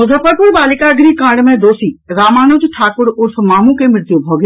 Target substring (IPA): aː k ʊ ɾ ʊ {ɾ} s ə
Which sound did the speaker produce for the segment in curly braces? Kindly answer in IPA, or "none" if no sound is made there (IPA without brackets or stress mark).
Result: ɾ